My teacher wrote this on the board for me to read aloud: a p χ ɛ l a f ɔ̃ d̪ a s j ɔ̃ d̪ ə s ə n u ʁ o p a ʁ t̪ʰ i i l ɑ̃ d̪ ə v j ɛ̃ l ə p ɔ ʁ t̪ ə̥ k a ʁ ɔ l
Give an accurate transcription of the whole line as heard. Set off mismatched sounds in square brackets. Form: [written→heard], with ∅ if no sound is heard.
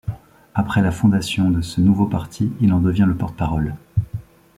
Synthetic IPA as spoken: a p χ ɛ l a f ɔ̃ d̪ a s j ɔ̃ d̪ ə s ə n u [ʁ→v] o p a ʁ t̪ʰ i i l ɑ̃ d̪ ə v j ɛ̃ l ə p ɔ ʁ t̪ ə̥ [k→p] a ʁ ɔ l